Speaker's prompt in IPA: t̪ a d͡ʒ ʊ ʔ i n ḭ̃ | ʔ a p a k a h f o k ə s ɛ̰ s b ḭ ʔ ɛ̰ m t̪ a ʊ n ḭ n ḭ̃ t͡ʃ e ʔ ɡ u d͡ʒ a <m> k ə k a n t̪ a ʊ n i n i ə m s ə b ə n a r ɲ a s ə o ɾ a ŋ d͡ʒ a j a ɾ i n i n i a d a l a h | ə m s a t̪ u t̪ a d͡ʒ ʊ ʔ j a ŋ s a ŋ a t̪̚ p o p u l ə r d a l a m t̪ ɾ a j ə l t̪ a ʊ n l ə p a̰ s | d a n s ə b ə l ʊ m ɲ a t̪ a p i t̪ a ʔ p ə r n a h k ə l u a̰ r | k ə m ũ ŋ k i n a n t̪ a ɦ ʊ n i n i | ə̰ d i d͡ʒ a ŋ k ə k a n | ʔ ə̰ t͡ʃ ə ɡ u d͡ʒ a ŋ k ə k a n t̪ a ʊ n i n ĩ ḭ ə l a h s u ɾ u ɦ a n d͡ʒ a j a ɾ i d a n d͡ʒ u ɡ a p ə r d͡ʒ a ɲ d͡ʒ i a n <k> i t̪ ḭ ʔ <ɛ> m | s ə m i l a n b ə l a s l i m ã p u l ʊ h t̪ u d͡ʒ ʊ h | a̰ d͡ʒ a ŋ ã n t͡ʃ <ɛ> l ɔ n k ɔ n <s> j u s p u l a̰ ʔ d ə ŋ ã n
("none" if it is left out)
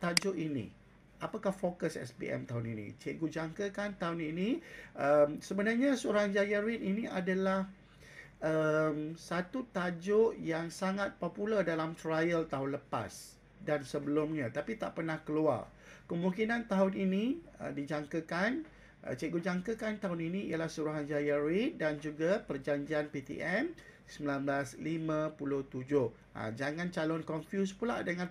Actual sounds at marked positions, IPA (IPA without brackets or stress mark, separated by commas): ŋ, p, ɛ, a, f